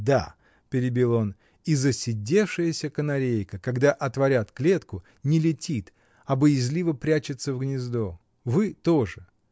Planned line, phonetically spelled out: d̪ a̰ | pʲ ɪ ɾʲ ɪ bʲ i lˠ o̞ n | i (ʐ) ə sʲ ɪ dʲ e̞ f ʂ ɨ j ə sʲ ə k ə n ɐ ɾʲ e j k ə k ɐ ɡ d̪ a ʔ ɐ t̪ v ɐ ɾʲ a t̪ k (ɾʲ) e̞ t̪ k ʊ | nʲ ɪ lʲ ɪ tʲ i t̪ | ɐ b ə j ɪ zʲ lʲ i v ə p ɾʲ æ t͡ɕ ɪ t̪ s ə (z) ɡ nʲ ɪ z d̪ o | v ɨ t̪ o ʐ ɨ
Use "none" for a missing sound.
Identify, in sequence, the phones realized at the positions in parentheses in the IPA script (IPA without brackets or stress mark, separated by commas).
z, lʲ, v